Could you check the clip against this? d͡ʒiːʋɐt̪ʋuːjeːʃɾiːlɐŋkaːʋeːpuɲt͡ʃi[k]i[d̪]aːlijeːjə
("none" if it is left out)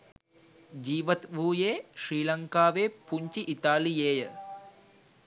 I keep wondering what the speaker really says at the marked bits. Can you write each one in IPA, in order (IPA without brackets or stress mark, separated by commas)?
ʔ, t̪